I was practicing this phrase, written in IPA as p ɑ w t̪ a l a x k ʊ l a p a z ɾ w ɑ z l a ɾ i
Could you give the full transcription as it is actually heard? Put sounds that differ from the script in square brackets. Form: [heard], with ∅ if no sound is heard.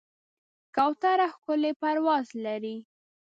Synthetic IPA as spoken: [k] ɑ w t̪ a [ɾ] a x k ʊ l [e] p a [∅] ɾ w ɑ z l a ɾ i

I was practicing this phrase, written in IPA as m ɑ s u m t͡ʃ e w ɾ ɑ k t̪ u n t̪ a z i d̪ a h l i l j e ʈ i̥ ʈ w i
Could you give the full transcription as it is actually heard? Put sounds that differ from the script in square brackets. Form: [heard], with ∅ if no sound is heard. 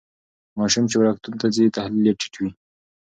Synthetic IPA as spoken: m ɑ [ʃ] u m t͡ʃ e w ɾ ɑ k t̪ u n t̪ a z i [t̪] a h l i l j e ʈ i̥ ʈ w i

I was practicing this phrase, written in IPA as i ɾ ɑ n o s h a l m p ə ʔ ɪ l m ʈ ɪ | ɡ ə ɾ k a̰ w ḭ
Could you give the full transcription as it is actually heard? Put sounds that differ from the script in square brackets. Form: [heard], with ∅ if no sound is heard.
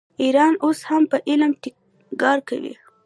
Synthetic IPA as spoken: i ɾ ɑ n o s h a [∅] m p ə ʔ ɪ l m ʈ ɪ | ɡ [ɑ] ɾ k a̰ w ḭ

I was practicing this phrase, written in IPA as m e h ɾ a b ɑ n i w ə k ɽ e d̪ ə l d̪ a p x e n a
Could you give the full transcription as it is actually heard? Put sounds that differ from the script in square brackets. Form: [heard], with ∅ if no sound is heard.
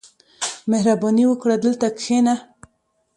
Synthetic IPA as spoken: m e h ɾ a b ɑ n i w ə k ɽ [a] d̪ ə l [t̪] a [k] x e n a

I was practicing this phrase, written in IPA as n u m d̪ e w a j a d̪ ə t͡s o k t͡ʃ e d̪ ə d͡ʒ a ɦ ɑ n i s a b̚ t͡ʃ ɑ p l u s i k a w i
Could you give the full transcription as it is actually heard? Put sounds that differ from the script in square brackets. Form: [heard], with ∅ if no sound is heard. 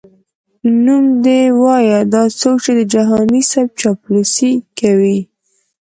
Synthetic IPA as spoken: n u m d̪ e w [ɑ] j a d̪ [ɑ] t͡s o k t͡ʃ e d̪ ə d͡ʒ a ɦ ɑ n i s a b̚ t͡ʃ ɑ p l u s i k a w i

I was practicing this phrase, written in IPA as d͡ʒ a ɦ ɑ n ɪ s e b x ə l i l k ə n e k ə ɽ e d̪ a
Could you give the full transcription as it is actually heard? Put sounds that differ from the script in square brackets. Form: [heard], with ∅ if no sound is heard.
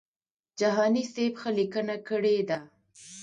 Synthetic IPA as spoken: d͡ʒ a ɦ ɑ n [i] s e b x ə l i [∅] k ə n [a] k ə ɽ e d̪ a

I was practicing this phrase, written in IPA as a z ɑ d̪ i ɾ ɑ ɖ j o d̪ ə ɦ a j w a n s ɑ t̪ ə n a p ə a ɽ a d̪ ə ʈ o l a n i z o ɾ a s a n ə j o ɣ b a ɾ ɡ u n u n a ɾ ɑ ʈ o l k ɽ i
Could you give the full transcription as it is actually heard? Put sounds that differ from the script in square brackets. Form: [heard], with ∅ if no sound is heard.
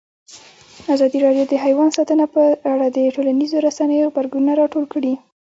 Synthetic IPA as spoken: a z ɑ d̪ i ɾ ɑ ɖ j o d̪ ə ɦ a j w [ɑ] n s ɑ t̪ ə n a p ə a ɽ a d̪ ə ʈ o l a n i z o ɾ a s a n ə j o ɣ b a ɾ ɡ u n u n a ɾ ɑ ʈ o l k ɽ i

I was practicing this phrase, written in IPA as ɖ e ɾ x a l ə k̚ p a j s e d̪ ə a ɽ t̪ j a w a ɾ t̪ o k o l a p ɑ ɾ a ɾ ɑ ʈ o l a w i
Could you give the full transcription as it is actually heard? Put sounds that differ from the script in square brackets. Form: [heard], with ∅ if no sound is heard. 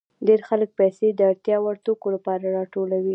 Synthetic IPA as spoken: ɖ e ɾ x a l ə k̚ p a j s e d̪ ə a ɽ t̪ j [ɑ] w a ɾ t̪ o k o l a p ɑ ɾ a ɾ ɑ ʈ o l a w i

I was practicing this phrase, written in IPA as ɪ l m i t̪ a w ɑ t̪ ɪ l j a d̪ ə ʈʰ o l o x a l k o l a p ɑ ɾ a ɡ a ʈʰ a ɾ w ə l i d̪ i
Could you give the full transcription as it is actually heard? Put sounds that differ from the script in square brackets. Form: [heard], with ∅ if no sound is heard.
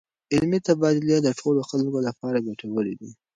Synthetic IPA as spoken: ɪ l m i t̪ a [b] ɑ [d̪] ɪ l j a d̪ ə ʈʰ o l o x a l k o l a p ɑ ɾ a ɡ a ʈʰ a [∅] w ə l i d̪ i

